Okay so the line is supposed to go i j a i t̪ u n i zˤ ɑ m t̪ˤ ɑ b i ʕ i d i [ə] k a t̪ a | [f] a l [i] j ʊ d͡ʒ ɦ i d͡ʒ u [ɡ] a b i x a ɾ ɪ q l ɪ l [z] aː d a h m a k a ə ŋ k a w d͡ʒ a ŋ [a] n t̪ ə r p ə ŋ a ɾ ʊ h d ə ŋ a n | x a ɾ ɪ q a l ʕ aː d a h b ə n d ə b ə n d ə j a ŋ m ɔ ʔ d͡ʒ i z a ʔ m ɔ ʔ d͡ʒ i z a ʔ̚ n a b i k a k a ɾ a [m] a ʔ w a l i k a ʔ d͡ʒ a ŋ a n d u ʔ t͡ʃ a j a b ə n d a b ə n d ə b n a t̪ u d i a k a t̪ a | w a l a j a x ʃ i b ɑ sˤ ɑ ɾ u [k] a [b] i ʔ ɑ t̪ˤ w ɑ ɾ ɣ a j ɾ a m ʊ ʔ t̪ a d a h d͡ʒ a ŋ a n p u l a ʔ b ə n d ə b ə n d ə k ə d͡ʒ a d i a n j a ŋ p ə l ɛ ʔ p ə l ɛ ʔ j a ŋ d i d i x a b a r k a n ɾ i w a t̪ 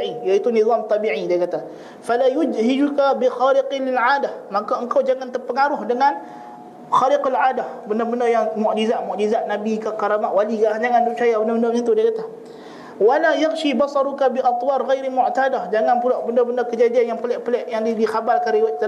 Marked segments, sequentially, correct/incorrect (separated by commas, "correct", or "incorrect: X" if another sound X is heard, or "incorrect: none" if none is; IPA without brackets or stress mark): incorrect: a, correct, incorrect: a, incorrect: k, incorrect: ʕ, correct, correct, correct, correct